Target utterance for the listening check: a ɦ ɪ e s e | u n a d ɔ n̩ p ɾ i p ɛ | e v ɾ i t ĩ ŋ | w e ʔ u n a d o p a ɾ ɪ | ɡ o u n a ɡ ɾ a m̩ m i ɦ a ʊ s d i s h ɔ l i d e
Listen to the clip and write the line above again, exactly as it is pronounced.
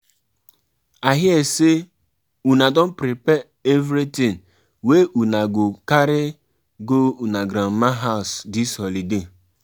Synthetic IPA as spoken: a ɦ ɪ e s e | u n a d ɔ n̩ p ɾ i p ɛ | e v ɾ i t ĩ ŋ | w e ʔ u n a ɡ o k a ɾ ɪ | ɡ o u n a ɡ ɾ a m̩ m a ɦ a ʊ s d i s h ɔ l i d e